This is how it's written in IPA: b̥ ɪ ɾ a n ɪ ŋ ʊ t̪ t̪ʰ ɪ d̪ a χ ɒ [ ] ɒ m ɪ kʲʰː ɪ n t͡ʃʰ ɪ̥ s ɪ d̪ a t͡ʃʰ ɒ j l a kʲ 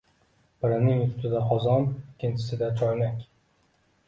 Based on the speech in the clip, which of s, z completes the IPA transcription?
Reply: z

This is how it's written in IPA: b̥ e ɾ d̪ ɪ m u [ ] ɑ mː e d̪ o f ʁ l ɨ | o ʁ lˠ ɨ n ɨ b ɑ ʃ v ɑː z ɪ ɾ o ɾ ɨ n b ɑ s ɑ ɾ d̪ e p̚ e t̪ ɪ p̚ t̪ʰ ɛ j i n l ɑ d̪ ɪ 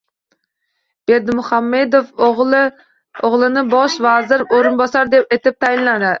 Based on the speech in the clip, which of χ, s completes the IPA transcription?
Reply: χ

